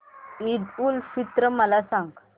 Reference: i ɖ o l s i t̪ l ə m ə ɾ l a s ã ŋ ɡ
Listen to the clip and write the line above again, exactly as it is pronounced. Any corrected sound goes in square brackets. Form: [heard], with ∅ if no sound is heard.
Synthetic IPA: i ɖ [u] l [f] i t̪ [ɾ] ə m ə [∅] l a s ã ŋ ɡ

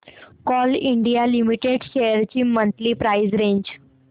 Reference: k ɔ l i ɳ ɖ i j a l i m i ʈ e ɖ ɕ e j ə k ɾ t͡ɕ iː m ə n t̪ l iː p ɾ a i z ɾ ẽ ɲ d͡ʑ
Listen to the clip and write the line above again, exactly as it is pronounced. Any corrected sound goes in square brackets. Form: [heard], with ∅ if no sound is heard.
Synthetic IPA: k ɔ l i ɳ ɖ i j a l i m i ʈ e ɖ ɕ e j ə [∅] ɾ t͡ɕ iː m ə n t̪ l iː p ɾ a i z ɾ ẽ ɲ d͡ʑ

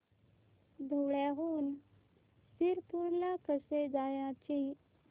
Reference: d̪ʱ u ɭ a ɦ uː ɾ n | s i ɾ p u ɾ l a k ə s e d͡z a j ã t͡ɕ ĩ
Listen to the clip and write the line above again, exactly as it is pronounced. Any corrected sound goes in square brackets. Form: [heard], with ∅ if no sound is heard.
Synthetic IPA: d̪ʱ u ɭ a ɦ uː [∅] n | s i ɾ p u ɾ l a k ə s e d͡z a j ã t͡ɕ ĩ

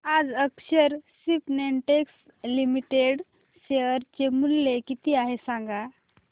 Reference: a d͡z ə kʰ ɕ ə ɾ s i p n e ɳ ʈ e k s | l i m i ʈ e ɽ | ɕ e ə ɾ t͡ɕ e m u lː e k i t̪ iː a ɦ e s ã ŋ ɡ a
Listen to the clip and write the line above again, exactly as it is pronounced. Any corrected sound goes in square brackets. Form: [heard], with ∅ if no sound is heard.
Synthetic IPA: a d͡z ə [k] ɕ ə ɾ s i p n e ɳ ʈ e k s | l i m i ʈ e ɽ | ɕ e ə ɾ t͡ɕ e m u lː e k i t̪ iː a ɦ e s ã ŋ ɡ a

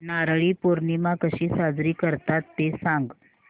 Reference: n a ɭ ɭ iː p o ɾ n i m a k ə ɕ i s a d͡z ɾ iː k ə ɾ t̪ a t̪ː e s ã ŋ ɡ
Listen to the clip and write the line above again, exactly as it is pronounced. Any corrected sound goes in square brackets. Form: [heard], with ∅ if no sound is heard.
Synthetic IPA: n a [ɾ] ɭ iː p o ɾ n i m a k ə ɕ [iː] s a d͡z ɾ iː k ə ɾ t̪ a t̪ː e s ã ŋ ɡ

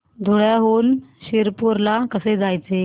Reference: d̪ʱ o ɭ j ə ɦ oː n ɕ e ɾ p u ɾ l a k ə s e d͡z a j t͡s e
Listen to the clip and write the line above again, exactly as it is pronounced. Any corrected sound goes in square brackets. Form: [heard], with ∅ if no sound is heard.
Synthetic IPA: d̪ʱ o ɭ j [a] ɦ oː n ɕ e ɾ p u ɾ l a k ə s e d͡z a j t͡s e

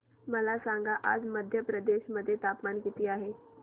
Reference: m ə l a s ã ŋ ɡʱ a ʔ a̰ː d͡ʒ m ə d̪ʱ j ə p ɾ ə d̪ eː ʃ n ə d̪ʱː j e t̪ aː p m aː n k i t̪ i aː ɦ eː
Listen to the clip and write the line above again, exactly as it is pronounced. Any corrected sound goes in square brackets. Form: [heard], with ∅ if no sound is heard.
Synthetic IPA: m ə l a s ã ŋ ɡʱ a ʔ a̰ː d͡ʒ m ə d̪ʱ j ə p ɾ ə d̪ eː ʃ [m] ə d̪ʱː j e t̪ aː p m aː n k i t̪ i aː ɦ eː

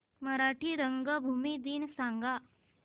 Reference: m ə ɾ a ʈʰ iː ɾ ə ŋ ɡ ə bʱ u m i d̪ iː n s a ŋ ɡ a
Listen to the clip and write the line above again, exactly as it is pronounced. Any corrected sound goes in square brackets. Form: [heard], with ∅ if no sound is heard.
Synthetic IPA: m ə ɾ a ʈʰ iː ɾ ə ŋ ɡ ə bʱ u m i d̪ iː n s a ŋ ɡ a

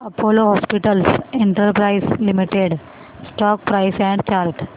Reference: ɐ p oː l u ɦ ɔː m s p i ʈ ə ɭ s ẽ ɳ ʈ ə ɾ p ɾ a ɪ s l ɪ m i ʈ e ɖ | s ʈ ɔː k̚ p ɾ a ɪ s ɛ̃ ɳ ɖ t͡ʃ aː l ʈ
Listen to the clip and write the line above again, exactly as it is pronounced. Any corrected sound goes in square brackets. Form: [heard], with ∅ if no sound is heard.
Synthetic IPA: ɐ p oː l [o] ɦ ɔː [∅] s p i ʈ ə [l] s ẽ ɳ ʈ ə ɾ p ɾ a ɪ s l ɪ m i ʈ e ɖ | s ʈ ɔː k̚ p ɾ a ɪ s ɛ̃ ɳ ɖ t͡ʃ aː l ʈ

